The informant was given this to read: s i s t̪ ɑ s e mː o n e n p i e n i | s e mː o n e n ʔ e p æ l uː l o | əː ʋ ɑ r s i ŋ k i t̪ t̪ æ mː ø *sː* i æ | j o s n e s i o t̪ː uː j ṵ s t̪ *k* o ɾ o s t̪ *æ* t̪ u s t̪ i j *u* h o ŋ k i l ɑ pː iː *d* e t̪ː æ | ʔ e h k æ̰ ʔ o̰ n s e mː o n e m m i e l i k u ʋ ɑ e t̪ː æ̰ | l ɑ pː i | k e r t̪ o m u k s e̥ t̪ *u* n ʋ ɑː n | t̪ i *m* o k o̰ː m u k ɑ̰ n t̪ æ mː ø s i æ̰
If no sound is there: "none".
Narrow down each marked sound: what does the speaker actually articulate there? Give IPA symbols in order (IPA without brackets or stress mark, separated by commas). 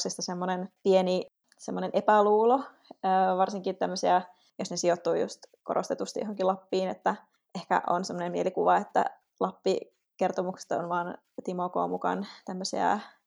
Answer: s, k, e, o, n, o, m